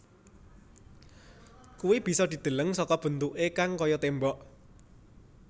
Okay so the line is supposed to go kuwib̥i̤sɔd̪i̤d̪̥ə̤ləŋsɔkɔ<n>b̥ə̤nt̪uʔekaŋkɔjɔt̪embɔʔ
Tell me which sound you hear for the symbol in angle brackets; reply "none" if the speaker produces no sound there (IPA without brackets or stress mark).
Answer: none